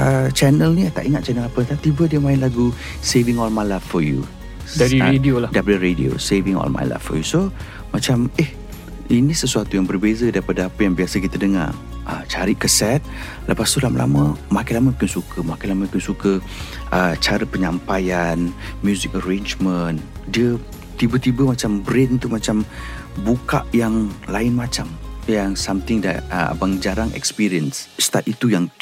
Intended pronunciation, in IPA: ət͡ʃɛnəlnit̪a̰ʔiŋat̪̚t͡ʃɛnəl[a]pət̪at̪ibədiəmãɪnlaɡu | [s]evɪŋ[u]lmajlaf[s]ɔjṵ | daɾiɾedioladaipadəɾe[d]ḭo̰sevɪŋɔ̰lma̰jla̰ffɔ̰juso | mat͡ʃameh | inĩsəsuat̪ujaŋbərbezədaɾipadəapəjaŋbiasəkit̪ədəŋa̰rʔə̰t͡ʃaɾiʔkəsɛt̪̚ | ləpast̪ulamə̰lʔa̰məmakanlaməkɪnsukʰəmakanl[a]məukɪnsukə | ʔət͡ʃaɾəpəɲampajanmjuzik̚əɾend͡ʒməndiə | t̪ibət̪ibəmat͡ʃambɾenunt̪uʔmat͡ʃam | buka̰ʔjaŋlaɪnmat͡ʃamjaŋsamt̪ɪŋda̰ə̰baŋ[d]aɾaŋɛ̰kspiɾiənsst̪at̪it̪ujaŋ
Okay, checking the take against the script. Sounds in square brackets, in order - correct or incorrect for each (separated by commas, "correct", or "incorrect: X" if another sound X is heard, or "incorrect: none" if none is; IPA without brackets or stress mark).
correct, correct, incorrect: ɔ, incorrect: f, correct, correct, incorrect: d͡ʒ